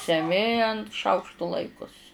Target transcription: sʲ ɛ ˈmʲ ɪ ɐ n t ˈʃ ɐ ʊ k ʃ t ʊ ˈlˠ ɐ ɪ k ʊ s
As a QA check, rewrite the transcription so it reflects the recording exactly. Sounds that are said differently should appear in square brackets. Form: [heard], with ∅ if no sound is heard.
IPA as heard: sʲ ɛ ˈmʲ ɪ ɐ n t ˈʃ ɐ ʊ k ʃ t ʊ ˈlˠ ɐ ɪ k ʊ s